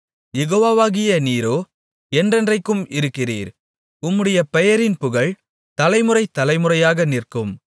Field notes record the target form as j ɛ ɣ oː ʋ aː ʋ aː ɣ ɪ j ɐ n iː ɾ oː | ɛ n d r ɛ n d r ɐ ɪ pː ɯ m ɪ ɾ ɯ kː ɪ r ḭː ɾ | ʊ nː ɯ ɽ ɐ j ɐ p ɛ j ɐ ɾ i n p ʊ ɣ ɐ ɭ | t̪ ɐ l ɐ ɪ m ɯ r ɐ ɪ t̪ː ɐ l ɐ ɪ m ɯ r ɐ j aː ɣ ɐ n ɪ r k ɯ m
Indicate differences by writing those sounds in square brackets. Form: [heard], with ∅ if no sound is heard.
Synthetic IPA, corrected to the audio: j ɛ ɣ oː ʋ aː ʋ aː ɣ ɪ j ɐ n iː ɾ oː | ɛ n d r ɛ n d r ɐ ɪ [kː] ɯ m ɪ ɾ ɯ kː ɪ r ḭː ɾ | ʊ [mː] ɯ ɽ ɐ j ɐ p ɛ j ɐ ɾ [ɪ] n p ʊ ɣ ɐ ɭ | t̪ ɐ l ɐ ɪ m ɯ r ɐ ɪ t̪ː ɐ l ɐ ɪ m ɯ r ɐ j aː ɣ ɐ n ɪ r k ɯ m